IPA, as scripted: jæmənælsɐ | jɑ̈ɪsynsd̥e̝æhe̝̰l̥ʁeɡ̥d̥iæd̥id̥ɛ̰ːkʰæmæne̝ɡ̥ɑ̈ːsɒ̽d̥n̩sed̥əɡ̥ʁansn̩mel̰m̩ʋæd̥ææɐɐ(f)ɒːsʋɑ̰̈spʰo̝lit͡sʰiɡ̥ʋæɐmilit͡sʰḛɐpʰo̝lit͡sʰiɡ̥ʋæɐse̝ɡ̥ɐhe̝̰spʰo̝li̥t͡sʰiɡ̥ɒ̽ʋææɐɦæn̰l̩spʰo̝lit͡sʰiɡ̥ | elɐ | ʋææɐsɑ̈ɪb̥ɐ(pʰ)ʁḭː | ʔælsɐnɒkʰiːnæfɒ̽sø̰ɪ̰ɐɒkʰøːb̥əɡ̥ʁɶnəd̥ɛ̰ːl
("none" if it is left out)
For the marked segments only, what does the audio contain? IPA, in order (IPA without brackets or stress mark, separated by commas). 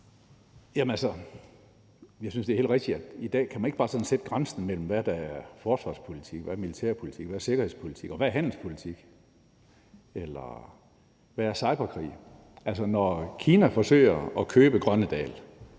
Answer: f, kʰ